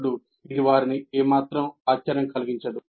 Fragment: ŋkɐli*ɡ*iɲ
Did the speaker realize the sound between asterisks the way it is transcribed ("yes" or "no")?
yes